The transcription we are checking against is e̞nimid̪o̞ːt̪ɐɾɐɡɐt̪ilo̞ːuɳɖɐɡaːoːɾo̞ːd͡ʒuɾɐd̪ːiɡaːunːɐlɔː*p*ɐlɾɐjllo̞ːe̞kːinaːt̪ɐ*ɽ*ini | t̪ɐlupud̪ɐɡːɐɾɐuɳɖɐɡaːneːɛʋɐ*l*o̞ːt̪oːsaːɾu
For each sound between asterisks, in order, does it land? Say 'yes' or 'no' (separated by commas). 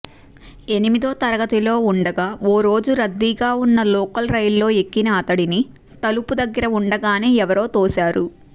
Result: no, yes, no